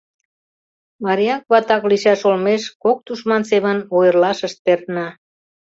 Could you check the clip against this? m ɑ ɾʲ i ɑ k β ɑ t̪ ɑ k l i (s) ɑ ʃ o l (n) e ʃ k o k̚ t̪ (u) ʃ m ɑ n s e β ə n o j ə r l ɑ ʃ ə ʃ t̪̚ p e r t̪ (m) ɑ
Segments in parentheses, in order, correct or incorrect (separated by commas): incorrect, incorrect, correct, incorrect